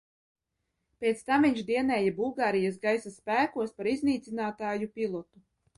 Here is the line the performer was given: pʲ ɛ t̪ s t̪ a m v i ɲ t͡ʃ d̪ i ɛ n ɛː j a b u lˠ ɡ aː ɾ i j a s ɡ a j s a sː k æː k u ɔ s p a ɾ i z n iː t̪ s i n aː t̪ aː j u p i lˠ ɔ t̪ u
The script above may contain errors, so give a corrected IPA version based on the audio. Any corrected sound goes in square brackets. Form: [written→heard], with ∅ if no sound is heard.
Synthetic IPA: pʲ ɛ t̪ s t̪ a m v i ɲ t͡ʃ d̪ i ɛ n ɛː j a b u lˠ ɡ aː ɾ i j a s ɡ a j s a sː [k→p] æː k u ɔ s p a ɾ i z n iː t̪ s i n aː t̪ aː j u p i lˠ ɔ t̪ u